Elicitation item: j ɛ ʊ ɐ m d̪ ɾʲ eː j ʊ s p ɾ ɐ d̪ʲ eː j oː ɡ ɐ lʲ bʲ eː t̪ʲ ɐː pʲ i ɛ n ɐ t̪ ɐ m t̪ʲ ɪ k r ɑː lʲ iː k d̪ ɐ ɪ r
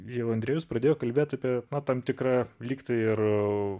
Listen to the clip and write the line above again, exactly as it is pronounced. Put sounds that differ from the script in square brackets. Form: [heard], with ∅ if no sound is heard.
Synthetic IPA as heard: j ɛ ʊ ɐ [n] d̪ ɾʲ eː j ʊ s p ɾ ɐ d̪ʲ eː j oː [k] ɐ lʲ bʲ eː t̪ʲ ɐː pʲ i ɛ n ɐ t̪ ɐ m t̪ʲ ɪ k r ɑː lʲ iː k [t̪] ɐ ɪ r